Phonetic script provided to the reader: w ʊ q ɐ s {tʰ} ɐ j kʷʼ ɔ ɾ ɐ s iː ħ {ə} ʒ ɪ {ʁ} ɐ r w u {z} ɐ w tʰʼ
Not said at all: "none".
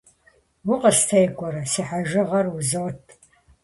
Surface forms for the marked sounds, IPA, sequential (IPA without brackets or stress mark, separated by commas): tʰ, a, ʁ, z